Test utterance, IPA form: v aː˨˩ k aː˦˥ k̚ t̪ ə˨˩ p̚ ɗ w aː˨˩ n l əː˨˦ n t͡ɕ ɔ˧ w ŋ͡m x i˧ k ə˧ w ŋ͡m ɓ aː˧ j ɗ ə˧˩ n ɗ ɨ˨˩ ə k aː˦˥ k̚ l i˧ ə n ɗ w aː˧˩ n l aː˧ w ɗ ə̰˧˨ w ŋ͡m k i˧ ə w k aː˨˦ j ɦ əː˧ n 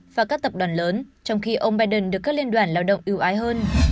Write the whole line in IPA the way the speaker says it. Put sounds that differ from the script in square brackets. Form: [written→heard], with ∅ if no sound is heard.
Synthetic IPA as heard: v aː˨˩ k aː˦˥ k̚ t̪ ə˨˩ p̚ ɗ w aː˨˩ n l əː˨˦ n t͡ɕ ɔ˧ w ŋ͡m x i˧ [k→ʔ] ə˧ w ŋ͡m ɓ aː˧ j ɗ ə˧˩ n ɗ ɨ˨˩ ə k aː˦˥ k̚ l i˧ ə n ɗ w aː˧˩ n l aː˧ w ɗ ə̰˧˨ w ŋ͡m [k→ʔ] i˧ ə w [k→ʔ] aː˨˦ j ɦ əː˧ n